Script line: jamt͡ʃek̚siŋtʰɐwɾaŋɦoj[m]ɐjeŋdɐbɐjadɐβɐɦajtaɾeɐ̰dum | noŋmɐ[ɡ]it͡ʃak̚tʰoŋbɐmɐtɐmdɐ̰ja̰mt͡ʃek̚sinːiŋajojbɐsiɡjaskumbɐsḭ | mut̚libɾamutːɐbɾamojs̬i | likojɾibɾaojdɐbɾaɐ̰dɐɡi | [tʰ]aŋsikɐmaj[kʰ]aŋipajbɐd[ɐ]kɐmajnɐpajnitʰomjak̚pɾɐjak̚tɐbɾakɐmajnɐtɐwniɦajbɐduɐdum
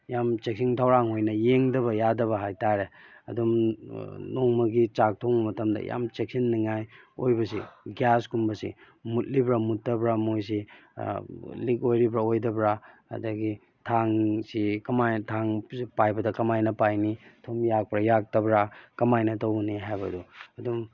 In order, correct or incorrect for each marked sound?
incorrect: n, correct, correct, incorrect: tʰ, correct

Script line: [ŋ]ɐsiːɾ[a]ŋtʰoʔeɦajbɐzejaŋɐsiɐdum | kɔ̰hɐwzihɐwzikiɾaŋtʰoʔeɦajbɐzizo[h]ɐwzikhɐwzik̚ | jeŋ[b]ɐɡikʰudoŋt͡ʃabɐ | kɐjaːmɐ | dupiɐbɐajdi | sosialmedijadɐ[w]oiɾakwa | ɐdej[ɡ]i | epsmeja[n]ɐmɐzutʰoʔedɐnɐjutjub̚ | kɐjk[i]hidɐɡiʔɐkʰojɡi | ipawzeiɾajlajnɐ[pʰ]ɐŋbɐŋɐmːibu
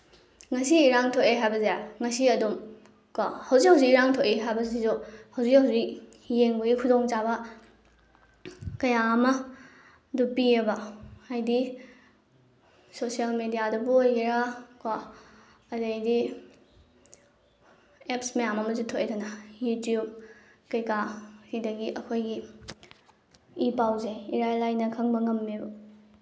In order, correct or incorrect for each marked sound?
correct, correct, correct, correct, incorrect: b, incorrect: d, incorrect: m, incorrect: a, incorrect: kʰ

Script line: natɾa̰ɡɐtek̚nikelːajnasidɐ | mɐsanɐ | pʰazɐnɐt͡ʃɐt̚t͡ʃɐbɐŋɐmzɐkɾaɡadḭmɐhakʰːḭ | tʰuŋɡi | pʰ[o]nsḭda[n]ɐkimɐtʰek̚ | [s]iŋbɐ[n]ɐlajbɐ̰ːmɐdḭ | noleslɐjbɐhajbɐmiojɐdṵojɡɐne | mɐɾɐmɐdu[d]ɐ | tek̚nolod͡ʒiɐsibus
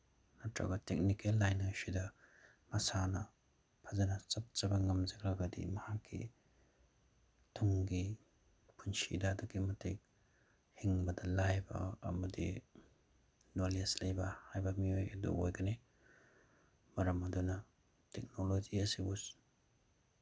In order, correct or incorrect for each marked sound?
incorrect: u, incorrect: d, incorrect: h, incorrect: d, incorrect: n

